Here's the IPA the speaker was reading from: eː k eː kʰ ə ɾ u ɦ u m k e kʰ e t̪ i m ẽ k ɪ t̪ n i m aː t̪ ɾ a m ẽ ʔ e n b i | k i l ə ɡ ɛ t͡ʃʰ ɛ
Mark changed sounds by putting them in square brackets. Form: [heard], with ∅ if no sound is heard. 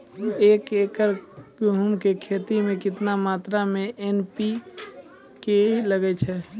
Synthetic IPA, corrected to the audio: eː k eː [k] ə ɾ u ɦ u m k e kʰ e t̪ i m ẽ k ɪ t̪ n [a] m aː t̪ ɾ a m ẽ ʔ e n [p] i | k [e] l ə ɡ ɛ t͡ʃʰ ɛ